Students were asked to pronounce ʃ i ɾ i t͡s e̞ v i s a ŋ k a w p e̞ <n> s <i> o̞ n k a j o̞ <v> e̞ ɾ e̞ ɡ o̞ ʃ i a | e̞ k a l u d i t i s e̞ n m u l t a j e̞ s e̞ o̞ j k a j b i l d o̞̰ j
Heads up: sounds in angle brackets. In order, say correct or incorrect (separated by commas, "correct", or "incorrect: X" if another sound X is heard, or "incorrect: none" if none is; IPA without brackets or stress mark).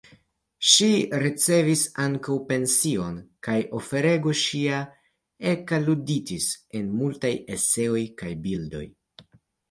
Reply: correct, correct, incorrect: f